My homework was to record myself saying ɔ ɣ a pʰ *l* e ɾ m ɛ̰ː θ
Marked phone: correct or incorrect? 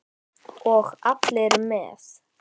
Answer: correct